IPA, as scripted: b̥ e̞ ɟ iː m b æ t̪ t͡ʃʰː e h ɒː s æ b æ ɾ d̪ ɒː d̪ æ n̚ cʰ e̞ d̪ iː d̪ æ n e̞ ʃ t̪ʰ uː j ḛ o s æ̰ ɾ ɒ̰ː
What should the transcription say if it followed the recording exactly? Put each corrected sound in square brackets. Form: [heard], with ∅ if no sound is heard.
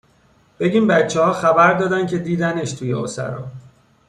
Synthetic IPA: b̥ e̞ ɟ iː m b æ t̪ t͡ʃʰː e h ɒː [x] æ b æ ɾ d̪ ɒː d̪ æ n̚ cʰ e̞ d̪ iː d̪ æ n e̞ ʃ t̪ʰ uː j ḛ o s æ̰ ɾ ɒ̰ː